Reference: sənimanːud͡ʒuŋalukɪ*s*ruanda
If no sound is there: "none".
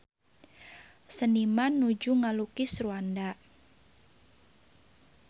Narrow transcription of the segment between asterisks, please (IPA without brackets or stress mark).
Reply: s